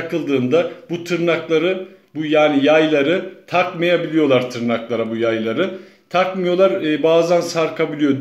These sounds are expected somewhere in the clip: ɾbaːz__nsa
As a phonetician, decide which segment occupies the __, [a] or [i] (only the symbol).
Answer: a